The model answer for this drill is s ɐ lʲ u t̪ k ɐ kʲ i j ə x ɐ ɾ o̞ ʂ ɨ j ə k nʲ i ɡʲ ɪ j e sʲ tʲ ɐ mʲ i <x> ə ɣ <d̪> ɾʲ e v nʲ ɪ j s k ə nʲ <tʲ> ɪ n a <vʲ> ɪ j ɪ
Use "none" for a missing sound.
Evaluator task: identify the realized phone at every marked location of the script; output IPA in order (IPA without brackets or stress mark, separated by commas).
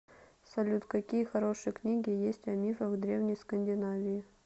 f, d̪, dʲ, vʲ